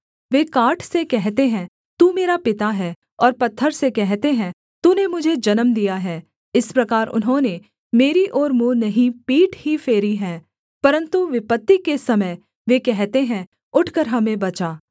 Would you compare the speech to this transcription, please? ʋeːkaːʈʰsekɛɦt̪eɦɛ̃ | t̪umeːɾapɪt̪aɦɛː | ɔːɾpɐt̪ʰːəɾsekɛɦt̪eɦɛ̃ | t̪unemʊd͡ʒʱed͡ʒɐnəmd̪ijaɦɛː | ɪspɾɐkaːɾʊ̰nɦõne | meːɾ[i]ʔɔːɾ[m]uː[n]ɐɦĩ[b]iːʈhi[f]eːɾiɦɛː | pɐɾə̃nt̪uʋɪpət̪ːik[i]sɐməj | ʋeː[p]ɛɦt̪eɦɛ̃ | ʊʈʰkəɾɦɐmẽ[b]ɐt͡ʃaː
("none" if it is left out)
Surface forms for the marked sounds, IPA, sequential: i, m, n, p, f, e, k, b

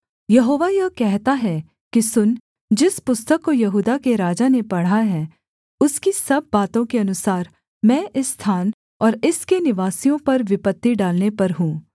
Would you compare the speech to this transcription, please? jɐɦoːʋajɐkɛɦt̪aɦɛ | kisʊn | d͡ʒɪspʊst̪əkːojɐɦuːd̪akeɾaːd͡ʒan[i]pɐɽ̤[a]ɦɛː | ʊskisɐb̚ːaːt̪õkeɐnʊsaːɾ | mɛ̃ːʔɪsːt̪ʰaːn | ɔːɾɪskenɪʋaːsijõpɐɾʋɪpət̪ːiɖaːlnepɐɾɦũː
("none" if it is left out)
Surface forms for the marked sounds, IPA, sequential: e, a

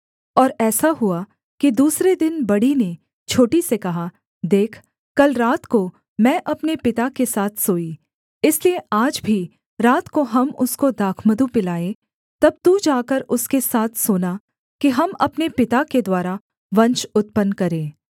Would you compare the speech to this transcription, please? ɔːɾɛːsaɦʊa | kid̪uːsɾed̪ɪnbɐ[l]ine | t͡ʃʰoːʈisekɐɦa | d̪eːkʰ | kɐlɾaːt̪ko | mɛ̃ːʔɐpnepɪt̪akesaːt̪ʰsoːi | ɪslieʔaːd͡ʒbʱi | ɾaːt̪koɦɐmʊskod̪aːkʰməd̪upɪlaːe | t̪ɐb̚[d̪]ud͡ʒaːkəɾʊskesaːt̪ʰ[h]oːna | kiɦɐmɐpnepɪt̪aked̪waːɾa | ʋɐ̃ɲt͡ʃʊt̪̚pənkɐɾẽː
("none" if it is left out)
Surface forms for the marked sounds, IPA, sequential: ɽ, t̪, s

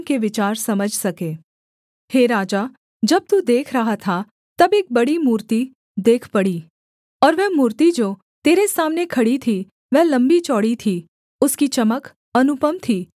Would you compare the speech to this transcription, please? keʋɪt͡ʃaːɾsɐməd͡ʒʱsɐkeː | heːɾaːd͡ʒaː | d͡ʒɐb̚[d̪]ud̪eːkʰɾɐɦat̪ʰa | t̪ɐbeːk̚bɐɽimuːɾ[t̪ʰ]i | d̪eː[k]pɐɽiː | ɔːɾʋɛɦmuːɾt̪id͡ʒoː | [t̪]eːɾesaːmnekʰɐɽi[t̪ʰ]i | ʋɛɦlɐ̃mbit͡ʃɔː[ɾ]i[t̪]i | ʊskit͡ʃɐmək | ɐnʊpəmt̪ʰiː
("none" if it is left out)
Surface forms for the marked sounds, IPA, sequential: t̪, t̪, kʰ, t̪, t̪ʰ, ɽ, t̪ʰ

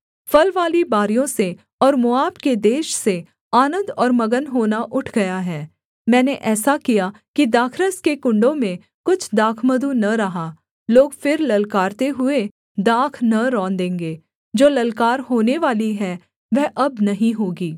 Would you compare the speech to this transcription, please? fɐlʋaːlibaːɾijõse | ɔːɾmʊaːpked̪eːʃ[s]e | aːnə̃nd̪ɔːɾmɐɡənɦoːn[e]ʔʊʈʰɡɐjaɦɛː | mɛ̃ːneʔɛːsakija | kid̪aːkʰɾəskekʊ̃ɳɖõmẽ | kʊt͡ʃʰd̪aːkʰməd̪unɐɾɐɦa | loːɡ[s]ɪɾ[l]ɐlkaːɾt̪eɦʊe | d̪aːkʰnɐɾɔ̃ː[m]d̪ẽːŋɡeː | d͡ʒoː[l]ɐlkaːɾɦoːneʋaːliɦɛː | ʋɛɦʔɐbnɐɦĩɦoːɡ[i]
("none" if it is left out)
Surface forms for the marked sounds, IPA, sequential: s, a, f, l, n, l, iː

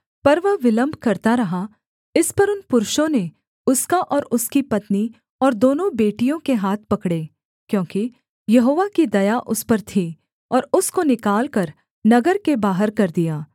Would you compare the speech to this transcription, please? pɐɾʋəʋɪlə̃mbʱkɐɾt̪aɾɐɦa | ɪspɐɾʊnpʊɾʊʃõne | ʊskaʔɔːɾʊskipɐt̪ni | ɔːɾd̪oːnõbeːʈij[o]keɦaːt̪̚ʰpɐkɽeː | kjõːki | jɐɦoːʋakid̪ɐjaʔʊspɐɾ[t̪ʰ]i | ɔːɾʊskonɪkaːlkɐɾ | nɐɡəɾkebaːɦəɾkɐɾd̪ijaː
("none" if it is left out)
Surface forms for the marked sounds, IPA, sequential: õ, t̪ʰ

